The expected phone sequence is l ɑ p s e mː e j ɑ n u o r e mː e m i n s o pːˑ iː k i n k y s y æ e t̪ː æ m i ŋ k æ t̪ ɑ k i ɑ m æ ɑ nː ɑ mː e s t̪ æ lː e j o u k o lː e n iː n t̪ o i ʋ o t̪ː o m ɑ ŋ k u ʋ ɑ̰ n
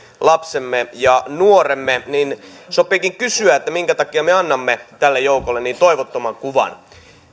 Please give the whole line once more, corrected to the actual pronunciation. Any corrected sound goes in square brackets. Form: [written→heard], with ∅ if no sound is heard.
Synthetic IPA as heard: l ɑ p s e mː e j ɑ n u o r e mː e [m→n] i n s o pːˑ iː k i [n→ŋ] k y s y æ e t̪ː æ m i ŋ k æ t̪ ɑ k i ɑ m [æ→e] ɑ nː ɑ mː e [s→∅] t̪ æ lː e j o u k o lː e n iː n t̪ o i ʋ o t̪ː o m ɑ ŋ k u ʋ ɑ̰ n